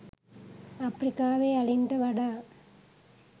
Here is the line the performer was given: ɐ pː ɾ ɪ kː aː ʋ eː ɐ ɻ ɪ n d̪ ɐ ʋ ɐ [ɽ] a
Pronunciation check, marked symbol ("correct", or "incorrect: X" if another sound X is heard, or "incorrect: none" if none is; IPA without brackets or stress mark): correct